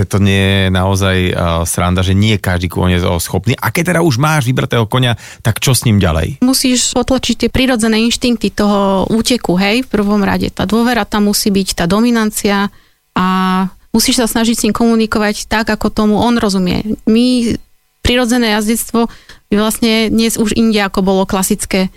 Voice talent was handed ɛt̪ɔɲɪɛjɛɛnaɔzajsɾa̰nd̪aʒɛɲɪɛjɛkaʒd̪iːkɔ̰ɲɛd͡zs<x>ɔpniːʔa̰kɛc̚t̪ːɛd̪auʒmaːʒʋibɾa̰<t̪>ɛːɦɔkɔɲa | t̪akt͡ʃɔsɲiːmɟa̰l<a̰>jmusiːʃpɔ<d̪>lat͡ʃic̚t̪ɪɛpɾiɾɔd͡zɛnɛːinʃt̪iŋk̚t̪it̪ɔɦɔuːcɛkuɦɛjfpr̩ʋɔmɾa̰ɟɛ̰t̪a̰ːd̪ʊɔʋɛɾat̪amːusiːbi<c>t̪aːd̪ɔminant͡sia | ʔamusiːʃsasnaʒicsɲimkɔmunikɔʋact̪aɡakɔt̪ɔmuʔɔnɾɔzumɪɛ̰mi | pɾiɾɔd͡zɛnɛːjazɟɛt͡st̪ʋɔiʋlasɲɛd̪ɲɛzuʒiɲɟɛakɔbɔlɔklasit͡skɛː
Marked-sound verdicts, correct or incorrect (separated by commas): correct, correct, incorrect, incorrect, correct